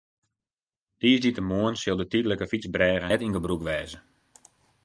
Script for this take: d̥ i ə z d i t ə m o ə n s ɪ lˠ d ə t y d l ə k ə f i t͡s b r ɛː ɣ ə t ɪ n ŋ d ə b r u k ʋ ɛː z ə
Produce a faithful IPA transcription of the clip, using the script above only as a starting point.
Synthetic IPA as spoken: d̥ i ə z d i t ə m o ə n s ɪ lˠ d ə t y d l ə k ə f i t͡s b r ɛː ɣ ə t i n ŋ ɡ ə b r u k ʋ ɛː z ə